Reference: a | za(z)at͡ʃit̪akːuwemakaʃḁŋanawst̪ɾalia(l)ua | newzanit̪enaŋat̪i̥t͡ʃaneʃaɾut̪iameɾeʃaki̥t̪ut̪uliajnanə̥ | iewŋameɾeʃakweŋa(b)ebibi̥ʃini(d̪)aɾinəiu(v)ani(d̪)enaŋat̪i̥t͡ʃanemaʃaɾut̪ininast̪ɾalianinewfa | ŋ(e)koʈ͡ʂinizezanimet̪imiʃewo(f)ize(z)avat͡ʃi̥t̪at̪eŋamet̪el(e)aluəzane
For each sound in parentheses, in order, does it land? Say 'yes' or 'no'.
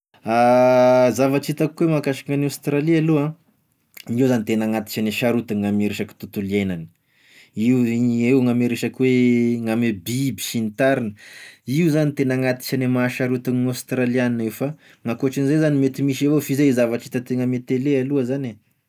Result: no, yes, no, no, no, no, no, yes, yes, yes

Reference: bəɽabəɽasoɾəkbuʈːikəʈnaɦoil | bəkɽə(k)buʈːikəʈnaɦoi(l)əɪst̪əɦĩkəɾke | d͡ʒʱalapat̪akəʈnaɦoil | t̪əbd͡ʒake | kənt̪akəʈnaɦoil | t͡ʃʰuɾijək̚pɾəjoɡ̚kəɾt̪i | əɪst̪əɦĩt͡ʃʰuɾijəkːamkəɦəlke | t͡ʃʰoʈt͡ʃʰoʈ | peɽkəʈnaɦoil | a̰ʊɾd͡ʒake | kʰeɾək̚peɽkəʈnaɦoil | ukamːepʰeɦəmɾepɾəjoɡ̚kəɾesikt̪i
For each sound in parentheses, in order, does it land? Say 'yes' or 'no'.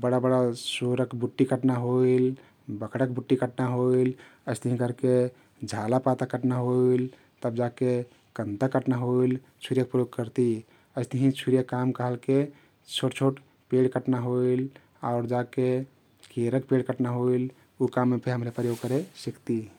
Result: yes, yes

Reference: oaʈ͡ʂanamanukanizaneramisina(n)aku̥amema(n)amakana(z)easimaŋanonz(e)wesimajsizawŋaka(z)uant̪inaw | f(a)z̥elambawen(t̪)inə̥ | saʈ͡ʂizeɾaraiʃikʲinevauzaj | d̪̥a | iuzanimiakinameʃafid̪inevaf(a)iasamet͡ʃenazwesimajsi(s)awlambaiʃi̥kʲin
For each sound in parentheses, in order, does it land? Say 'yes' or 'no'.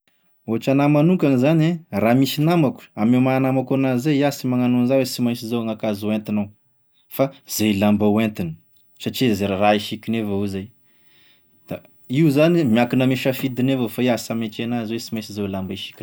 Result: no, yes, yes, no, yes, yes, yes, yes, no

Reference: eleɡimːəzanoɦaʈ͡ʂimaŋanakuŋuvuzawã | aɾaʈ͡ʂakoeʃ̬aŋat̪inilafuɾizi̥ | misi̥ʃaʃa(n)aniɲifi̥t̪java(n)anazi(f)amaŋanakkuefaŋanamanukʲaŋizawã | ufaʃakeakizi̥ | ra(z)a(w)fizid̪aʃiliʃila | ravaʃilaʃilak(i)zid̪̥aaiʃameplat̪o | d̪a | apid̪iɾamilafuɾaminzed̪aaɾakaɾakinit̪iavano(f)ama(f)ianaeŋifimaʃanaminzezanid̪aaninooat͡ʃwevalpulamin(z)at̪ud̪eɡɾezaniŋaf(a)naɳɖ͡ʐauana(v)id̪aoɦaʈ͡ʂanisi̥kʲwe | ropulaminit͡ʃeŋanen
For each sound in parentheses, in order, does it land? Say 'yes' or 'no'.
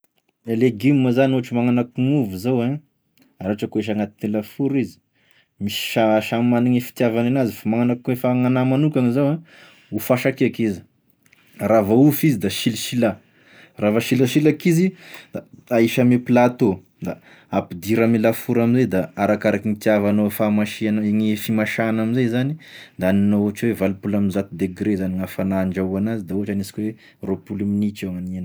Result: no, yes, yes, no, no, yes, yes, no, yes, yes, no

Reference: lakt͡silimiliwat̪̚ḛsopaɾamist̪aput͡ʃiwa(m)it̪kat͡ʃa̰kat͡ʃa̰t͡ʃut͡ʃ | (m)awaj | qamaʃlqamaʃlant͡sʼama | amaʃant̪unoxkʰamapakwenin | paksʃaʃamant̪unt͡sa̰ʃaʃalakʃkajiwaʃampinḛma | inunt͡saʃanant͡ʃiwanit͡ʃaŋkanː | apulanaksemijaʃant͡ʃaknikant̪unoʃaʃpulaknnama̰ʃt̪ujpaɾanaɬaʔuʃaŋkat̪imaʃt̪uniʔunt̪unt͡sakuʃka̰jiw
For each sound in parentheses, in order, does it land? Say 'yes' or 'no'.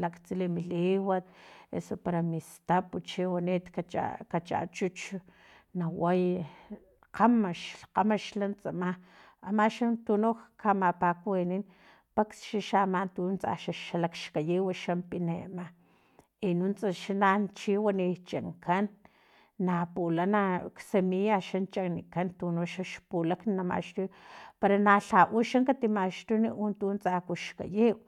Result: no, no

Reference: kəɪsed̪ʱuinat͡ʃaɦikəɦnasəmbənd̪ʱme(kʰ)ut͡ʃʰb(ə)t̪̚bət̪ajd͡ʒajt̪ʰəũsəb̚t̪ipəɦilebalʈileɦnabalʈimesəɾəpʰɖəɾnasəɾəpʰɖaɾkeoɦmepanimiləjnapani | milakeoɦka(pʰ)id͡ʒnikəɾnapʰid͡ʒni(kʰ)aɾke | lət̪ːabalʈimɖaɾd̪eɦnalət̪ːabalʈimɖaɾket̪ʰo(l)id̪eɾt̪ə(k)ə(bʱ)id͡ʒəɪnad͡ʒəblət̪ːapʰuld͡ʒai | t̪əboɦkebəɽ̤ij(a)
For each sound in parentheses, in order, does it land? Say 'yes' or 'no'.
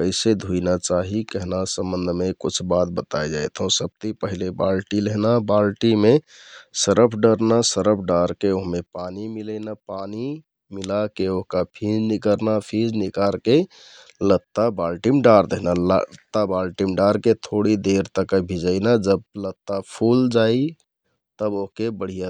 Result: no, no, yes, no, no, yes, yes, yes

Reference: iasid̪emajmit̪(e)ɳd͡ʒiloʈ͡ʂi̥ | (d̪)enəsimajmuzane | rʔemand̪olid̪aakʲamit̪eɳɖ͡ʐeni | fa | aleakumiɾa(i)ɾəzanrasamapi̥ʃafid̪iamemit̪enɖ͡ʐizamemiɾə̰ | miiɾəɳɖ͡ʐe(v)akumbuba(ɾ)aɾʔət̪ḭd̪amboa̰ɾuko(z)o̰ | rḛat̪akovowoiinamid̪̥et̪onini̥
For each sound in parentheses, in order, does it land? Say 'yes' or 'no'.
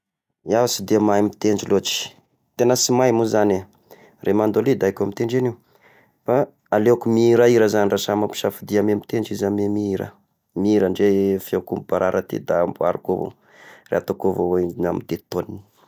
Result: yes, no, yes, no, yes, no

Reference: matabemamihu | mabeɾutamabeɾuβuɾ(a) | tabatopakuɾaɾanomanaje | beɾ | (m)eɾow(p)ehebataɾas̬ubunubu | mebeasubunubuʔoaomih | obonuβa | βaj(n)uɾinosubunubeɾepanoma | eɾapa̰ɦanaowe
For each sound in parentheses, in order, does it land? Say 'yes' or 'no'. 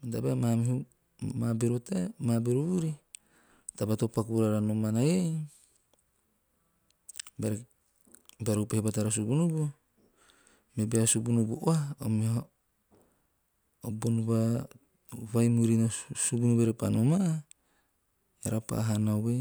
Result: no, no, yes, no

